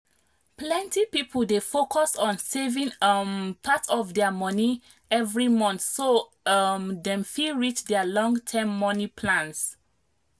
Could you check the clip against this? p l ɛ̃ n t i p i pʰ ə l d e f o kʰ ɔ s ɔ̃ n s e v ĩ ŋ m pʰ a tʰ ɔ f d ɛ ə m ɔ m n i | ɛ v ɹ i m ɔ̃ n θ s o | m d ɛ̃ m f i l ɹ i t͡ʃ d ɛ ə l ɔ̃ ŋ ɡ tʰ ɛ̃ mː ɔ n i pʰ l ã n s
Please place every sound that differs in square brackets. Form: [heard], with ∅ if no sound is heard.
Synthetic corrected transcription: p l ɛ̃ n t i p i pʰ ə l d e f o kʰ ɔ s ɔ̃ n s e v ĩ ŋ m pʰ a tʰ ɔ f d ɛ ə m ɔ [∅] n i | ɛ v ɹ i m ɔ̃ n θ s o | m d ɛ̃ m f i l ɹ i t͡ʃ d ɛ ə l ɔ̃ ŋ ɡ tʰ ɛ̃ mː ɔ n i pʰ l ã n s